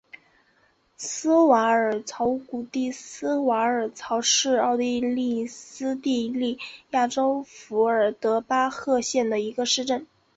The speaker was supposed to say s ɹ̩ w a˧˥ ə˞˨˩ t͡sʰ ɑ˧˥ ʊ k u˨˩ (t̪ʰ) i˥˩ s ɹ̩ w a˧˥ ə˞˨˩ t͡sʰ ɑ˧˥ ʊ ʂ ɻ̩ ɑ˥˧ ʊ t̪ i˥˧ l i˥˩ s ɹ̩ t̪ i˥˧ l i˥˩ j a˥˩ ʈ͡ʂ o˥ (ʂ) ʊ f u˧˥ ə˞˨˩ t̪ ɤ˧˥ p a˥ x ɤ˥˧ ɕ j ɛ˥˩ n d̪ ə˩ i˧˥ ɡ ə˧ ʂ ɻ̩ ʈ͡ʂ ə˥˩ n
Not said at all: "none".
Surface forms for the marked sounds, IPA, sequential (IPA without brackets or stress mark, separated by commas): t̪, none